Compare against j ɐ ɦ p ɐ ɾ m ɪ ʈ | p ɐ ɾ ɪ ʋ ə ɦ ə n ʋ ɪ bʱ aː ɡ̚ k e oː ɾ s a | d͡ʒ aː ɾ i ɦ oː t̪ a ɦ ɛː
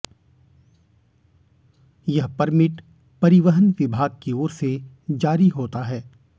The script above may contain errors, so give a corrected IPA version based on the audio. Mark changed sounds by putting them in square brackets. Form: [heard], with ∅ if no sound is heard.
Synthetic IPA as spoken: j ɐ ɦ p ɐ ɾ m ɪ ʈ | p ɐ ɾ ɪ ʋ ə ɦ ə n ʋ ɪ bʱ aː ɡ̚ k e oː ɾ s [e] | d͡ʒ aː ɾ i ɦ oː t̪ a ɦ ɛː